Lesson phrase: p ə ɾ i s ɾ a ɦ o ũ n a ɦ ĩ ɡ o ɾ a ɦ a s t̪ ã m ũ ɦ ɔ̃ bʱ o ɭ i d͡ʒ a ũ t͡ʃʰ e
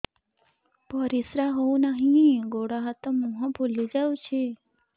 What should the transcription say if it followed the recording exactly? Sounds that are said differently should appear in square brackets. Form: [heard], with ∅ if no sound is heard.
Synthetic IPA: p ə ɾ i s ɾ a ɦ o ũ n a ɦ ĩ ɡ o [ɽ] a ɦ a [∅] t̪ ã m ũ ɦ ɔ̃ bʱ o [l] i d͡ʒ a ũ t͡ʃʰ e

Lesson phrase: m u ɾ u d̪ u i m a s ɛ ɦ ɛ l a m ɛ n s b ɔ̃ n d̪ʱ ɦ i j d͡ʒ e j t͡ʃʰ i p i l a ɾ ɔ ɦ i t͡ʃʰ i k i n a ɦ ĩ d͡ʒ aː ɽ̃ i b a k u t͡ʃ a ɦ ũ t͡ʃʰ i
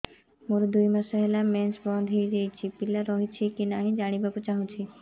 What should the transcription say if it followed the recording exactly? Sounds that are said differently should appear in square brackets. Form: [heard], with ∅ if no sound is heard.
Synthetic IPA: m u ɾ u d̪ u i m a s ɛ ɦ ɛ l a m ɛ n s b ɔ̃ n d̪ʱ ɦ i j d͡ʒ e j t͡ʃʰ i p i l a ɾ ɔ ɦ i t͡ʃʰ i k i n a ɦ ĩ d͡ʒ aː ɽ̃ i b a k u t͡ʃ a ɦ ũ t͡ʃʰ i

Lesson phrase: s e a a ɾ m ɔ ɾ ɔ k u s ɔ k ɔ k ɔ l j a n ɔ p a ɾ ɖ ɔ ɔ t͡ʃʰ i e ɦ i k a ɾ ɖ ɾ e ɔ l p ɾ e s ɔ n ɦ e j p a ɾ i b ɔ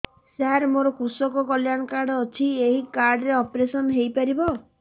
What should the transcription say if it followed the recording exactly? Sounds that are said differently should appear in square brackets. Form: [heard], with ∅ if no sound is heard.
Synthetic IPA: s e a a ɾ m [o] ɾ ɔ k u s ɔ k ɔ k ɔ l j a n ɔ [k] a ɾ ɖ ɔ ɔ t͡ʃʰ i e ɦ i k a ɾ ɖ ɾ e ɔ [∅] p ɾ e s ɔ n ɦ e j p a ɾ i b ɔ

